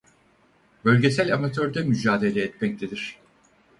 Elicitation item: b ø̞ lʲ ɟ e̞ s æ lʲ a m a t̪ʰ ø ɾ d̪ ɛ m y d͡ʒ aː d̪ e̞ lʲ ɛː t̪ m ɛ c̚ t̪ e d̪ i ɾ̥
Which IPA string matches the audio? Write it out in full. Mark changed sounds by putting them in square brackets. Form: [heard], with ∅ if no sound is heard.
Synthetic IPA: b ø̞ lʲ ɟ e̞ s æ lʲ a m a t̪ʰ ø ɾ d̪ ɛ m y d͡ʒ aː d̪ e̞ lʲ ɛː t̪ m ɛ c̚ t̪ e d̪ i ɾ̥